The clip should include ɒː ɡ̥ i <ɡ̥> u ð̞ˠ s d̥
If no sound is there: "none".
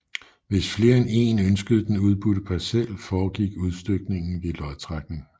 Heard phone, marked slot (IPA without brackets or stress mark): ɡ̥